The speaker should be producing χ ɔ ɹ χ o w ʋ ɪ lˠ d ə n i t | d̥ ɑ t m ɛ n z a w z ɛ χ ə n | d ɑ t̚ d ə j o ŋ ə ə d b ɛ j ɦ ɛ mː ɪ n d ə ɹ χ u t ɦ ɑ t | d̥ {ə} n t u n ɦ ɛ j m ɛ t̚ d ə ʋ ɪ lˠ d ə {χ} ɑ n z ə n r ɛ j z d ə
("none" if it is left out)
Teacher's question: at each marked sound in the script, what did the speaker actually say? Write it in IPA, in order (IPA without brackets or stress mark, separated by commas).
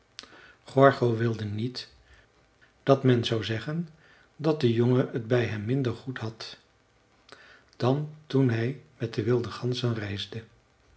ɑ, χ